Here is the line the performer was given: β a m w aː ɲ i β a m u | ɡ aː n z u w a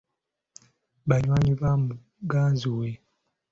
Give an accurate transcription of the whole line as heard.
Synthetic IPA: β a ɲ w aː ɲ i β a m u | ɡ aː n z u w e

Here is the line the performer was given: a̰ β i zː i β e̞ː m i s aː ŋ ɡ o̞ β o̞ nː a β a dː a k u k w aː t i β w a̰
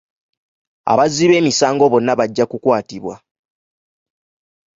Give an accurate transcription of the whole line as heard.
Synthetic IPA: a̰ β a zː i β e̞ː m i s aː ŋ ɡ o̞ β o̞ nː a β a ɟː a k u k w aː t i β w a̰

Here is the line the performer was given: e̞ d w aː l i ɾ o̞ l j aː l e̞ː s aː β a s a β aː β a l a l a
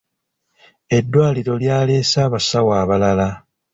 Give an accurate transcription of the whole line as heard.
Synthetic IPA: e̞ dː w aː l i ɾ o̞ l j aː l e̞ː s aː β a s a w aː β a l a l a

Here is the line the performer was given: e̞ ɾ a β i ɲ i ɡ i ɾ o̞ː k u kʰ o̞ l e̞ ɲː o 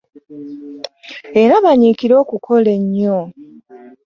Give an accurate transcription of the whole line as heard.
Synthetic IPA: e̞ ɾ a β a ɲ i k i ɾ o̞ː k u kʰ o̞ l e̞ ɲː o

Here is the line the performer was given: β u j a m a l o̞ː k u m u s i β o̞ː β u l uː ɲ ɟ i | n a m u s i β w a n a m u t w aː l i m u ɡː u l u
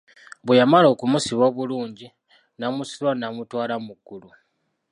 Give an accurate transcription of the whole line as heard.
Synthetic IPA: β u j a m a l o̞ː k u m u s i β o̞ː β u l uː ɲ ɟ i | n a m u s i β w a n a m u t w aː l a m u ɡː u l u

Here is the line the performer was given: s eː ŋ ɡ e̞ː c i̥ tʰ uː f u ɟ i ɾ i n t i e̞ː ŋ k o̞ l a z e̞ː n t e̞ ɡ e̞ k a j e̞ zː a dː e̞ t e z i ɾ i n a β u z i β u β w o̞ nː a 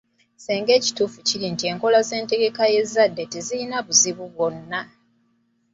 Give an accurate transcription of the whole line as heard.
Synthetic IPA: s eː ŋ ɡ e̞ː c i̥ t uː f u c i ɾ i n t i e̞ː ŋ k o̞ l a z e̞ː n t e̞ ɡ e̞ k a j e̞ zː a dː e̞ t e z i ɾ i n a β u z i β u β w o̞ nː a

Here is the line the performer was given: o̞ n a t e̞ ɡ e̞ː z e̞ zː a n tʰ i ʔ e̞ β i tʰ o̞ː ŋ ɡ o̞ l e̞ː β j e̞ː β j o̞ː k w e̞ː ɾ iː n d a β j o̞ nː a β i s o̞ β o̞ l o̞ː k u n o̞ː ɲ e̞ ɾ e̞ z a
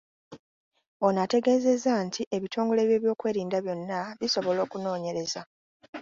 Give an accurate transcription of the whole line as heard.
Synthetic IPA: o̞ n a t e̞ ɡ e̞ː z e̞ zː a n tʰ i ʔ e̞ β i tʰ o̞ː ŋ ɡ o̞ l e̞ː β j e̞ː β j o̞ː k w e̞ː ɾ iː n d a β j o̞ nː a β i s o̞ β o̞ l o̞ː k u n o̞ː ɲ e̞ ɾ e̞ z a

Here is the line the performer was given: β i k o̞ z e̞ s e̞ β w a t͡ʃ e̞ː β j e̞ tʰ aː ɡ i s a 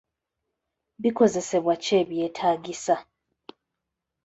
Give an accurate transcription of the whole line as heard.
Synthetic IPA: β i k o̞ z e̞ s e̞ β w a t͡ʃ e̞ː β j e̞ tʰ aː ɡ i s a

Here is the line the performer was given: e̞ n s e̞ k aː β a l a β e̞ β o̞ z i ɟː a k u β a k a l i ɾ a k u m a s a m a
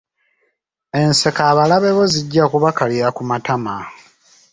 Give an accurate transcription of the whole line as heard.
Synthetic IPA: e̞ n s e̞ k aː β a l a β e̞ β o̞ z i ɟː a k u β a k a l i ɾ a k u m a t a m a

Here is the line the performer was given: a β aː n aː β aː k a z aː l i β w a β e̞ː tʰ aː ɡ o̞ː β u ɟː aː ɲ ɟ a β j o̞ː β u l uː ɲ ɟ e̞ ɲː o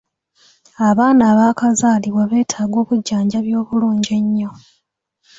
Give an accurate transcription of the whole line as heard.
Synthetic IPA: a β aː n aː β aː k a z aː l i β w a β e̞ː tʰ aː ɡ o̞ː β u ɟː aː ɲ ɟ a β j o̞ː β u l uː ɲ ɟ e̞ ɲː o

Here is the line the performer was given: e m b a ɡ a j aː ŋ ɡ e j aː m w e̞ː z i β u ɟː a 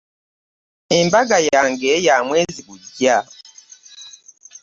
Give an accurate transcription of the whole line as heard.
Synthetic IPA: e m b a ɡ a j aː ŋ ɡ e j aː m w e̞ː z i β u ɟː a

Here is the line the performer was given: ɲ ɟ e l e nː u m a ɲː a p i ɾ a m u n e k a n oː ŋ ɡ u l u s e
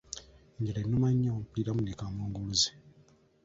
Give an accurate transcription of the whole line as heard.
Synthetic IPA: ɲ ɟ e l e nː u m a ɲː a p i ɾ a m u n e k a m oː ŋ ɡ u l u z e

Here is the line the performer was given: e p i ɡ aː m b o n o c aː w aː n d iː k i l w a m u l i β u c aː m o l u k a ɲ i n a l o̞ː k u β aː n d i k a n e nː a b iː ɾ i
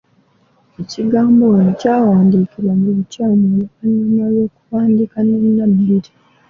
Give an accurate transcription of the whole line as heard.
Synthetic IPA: e c i ɡ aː m b o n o c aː w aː n d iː k i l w a m u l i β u c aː m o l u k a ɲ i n a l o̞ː k u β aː n d i k a n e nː a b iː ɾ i

